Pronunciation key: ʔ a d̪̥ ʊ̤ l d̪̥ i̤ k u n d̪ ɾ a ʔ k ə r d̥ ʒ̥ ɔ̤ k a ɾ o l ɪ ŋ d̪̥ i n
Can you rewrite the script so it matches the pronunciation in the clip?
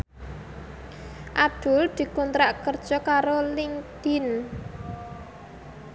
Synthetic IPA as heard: ʔ a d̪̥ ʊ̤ l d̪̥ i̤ k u n t̪ ɾ a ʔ k ə r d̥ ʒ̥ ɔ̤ k a ɾ o l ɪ ŋ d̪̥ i n

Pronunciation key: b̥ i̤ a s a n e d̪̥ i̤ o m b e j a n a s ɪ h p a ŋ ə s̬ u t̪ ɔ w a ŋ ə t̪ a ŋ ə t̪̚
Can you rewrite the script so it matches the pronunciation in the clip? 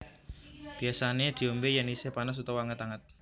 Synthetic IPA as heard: b̥ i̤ a s a n e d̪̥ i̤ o m b e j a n i s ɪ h p a n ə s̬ u t̪ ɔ w a ŋ ə t̪ a ŋ ə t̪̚

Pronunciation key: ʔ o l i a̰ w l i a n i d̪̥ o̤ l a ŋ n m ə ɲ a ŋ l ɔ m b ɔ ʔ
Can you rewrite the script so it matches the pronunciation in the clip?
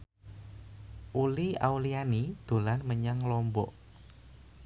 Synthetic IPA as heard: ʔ u l i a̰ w l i a n i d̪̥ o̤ l a n m ə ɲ a ŋ l ɔ m b ɔ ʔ

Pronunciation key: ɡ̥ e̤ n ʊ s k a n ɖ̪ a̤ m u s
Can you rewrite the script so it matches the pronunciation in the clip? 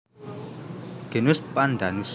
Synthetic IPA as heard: ɡ̥ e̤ n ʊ s p a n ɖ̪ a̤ n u s

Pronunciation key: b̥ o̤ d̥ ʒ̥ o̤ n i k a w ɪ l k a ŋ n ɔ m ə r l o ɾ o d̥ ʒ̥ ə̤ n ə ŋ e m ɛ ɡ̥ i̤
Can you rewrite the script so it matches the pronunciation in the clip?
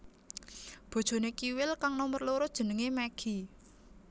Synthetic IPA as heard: b̥ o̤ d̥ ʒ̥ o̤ n e k i w ɪ l k a ŋ n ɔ m ə r l o ɾ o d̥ ʒ̥ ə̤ n ə ŋ e m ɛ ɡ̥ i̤

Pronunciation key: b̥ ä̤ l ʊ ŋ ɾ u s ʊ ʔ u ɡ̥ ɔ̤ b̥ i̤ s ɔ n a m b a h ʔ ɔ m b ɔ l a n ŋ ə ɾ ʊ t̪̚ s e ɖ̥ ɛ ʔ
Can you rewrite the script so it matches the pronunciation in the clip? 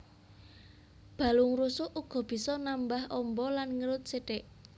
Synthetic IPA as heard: b̥ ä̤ l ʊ ŋ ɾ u s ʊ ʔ u ɡ̥ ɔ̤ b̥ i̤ s ɔ n a m b a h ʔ ɔ m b ɔ l a n ŋ ə ɾ ʊ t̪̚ s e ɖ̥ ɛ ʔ

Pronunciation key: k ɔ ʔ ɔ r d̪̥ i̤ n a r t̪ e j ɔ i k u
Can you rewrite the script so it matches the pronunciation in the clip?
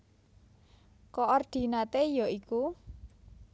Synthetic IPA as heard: k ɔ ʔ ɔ r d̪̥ i̤ n a t̪ e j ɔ i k u

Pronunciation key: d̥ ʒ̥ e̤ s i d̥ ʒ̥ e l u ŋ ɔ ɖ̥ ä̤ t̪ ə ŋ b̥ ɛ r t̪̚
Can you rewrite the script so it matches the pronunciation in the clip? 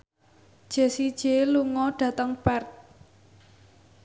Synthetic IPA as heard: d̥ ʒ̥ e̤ s i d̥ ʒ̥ e l u ŋ ɔ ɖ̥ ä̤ t̪ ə ŋ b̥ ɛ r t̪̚

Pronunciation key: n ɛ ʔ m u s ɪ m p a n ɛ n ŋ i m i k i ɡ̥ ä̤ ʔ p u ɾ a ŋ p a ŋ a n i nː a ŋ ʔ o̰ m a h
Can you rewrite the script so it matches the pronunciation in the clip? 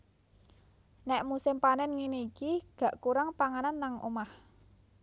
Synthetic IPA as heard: n ɛ ʔ m u s ɪ m p a n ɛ n ŋ i n i k i ɡ̥ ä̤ ʔ k u ɾ a ŋ p a ŋ a n a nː a ŋ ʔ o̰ m a h

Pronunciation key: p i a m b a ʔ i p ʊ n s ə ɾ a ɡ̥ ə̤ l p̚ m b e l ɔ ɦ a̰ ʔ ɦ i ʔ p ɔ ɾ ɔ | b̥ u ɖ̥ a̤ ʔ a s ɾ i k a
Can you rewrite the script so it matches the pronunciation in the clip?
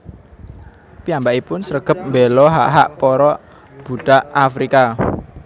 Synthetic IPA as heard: p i a m b a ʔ i p ʊ n s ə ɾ ə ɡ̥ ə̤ p̚ m b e l ɔ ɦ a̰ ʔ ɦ a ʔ p ɔ ɾ ɔ | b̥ u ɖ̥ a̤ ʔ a f ɾ i k a

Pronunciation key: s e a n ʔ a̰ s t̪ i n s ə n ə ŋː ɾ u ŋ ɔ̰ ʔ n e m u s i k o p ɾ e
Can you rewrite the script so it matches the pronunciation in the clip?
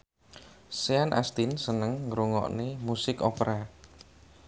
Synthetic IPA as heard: s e a n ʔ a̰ s t̪ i n s ə n ə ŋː ɾ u ŋ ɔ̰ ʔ n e m u s ɪ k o p ɾ a

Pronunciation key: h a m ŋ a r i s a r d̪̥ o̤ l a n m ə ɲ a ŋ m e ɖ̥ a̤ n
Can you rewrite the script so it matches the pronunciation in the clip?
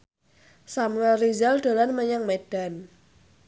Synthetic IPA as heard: s a m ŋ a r i z a l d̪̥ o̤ l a n m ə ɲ a ŋ m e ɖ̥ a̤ n

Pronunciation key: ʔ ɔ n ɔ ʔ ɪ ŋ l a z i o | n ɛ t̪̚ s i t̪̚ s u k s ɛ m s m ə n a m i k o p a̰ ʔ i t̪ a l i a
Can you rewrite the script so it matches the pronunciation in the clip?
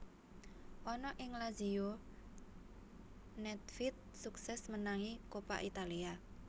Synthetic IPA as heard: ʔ ɔ n ɔ ʔ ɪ ŋ l a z i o | n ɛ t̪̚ f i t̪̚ s u k s ɛ s m ə n a ŋ i k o p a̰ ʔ i t̪ a l i a

